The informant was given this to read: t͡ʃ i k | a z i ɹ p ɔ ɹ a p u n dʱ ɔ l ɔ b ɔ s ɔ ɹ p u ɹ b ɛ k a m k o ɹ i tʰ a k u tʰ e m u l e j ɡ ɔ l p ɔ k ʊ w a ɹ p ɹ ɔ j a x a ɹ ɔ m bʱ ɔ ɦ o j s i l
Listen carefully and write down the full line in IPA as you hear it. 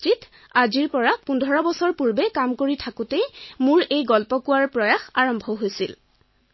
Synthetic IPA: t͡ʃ i t | a z i ɹ p ɔ ɹ a p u n dʱ ɔ ɹ ɔ b ɔ s ɔ ɹ p u ɹ b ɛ k a m k o ɹ i tʰ a k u t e m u ɹ e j ɡ ɔ l p ɔ k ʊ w a ɹ p ɹ ɔ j a x a ɹ ɔ m bʱ ɔ ɦ o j s i l